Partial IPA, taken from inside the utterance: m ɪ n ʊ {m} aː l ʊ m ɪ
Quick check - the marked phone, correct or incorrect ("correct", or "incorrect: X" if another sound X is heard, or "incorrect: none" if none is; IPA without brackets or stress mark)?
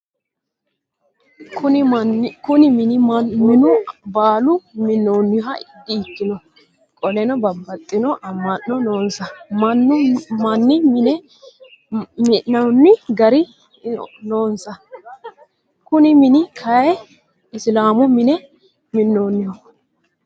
incorrect: b